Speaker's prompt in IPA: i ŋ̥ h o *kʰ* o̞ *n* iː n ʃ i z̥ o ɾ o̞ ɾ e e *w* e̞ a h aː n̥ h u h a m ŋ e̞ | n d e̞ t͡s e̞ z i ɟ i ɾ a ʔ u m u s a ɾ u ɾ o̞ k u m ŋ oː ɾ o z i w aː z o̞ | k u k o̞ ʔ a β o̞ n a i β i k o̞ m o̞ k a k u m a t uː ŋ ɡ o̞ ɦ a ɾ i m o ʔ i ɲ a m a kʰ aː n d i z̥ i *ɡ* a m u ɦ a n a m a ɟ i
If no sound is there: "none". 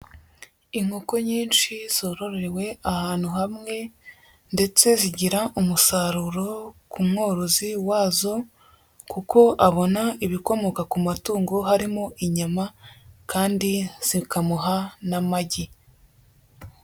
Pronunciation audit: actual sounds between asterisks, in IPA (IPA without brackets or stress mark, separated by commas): k, ɲ, w, k